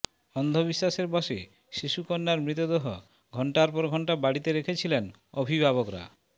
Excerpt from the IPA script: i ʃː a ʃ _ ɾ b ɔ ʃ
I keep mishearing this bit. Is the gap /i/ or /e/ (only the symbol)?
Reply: e